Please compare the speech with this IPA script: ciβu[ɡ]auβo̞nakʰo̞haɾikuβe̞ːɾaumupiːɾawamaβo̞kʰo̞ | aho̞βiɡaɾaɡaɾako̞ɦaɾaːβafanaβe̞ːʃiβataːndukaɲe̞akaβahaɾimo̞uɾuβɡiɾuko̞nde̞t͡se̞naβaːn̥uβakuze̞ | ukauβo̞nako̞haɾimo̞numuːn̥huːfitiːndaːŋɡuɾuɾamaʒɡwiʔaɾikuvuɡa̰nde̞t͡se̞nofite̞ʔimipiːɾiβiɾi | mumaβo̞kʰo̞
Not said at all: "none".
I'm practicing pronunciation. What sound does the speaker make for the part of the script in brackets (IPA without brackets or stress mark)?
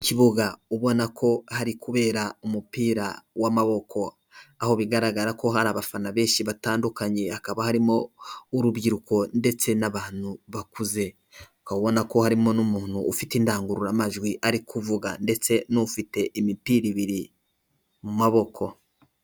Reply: ɡ